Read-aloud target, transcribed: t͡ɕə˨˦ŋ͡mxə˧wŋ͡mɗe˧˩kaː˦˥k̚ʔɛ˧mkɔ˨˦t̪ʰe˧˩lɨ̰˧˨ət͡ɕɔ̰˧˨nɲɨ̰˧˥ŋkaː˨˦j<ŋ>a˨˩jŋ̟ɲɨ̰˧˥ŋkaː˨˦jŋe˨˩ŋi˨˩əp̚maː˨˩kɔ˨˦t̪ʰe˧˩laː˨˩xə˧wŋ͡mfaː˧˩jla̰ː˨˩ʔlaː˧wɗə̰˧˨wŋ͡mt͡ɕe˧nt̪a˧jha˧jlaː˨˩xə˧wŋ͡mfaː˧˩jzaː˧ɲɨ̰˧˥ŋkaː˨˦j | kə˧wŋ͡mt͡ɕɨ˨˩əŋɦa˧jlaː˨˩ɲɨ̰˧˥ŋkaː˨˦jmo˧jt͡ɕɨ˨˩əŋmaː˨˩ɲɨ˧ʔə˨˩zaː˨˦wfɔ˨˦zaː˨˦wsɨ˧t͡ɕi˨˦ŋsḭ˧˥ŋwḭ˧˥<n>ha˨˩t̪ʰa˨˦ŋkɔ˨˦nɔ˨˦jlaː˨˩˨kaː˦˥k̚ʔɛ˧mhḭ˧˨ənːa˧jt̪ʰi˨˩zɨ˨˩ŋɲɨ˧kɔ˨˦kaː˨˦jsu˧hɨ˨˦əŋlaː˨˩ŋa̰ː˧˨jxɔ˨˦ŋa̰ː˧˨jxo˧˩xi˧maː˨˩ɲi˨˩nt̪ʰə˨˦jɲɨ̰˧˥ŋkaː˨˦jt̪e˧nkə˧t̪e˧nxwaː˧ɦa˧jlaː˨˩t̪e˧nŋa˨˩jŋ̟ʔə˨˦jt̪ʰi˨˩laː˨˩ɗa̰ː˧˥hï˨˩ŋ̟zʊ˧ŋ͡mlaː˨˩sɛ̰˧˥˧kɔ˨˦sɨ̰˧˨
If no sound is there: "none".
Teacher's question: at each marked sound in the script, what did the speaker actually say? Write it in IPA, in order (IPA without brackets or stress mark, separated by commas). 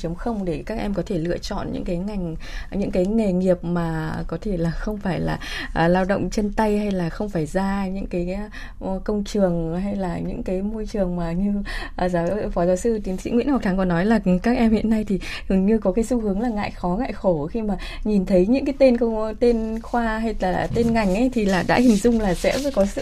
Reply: ŋ, n